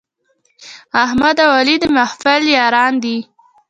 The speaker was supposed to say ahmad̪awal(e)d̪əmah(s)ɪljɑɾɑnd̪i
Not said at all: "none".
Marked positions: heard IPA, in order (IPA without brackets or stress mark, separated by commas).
i, f